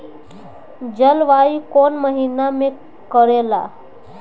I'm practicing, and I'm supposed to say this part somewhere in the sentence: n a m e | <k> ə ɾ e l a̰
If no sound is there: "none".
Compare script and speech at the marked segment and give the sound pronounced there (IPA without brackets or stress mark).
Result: k